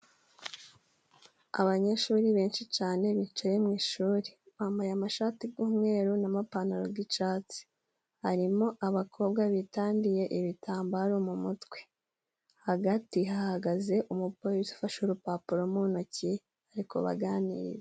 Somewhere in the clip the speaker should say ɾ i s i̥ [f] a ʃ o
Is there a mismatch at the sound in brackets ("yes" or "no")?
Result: no